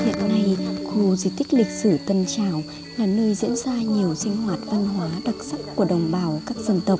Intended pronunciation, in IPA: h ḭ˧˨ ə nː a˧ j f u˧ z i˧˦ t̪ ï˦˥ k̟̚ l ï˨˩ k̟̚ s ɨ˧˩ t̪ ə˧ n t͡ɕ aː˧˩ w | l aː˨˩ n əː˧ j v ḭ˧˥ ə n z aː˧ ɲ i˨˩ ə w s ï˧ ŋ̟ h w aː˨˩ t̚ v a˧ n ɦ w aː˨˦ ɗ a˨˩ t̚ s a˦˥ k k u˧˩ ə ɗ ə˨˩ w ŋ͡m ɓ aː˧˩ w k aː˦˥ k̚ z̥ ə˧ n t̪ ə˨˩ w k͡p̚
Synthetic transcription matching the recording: h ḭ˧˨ ə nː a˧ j x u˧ z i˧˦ t̪ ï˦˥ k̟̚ l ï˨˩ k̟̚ s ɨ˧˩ t̪ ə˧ n t͡ɕ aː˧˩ w | l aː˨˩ n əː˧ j z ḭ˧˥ ə n z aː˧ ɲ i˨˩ ə w s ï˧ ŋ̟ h w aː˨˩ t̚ v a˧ n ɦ w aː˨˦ ɗ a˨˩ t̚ s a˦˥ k k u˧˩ ə ɗ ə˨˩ w ŋ͡m ɓ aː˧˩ w k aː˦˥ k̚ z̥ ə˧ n t̪ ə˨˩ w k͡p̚